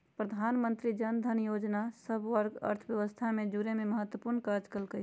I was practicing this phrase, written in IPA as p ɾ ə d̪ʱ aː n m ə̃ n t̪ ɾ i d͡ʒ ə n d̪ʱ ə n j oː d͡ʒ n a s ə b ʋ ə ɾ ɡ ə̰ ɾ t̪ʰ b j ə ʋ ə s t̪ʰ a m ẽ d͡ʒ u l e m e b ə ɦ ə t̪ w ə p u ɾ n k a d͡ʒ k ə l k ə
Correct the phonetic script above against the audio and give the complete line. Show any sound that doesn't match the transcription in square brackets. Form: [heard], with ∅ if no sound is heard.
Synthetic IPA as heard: p ɾ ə d̪ʱ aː n m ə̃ n t̪ ɾ i d͡ʒ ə n d̪ʱ ə n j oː d͡ʒ n a s ə b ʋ ə ɾ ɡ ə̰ ɾ t̪ʰ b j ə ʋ ə s t̪ʰ a m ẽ d͡ʒ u [ɾ] e m e [m] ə ɦ ə t̪ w ə p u ɾ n k a d͡ʒ k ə l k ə